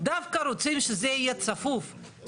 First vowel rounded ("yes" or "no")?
no